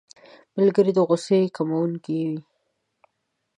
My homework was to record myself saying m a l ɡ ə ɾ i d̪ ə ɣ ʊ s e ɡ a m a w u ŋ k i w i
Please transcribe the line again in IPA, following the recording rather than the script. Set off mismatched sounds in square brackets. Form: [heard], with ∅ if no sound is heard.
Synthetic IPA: m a l ɡ ə ɾ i d̪ ə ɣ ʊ s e [k] a m a w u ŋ k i w i